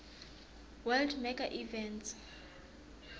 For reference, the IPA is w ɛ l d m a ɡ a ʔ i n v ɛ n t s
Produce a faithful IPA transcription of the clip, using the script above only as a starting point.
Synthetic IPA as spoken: w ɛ l d m ɛ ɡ a ʔ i v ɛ n t s